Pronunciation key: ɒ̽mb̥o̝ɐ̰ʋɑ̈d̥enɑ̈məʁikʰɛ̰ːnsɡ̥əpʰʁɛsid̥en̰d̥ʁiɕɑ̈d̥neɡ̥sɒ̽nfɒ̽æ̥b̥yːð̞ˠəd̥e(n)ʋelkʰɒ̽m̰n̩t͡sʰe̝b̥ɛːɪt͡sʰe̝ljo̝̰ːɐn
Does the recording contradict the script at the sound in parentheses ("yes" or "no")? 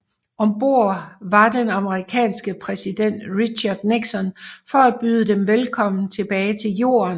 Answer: yes